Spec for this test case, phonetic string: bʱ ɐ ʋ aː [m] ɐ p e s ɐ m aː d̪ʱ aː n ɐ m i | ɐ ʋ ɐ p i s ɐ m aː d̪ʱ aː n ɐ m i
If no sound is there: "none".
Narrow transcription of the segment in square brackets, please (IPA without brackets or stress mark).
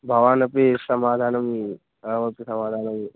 n